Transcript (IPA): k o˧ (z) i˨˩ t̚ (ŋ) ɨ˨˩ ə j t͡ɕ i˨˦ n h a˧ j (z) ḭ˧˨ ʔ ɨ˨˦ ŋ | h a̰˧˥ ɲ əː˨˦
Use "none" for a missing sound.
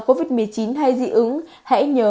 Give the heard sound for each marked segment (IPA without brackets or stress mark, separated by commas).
v, m, z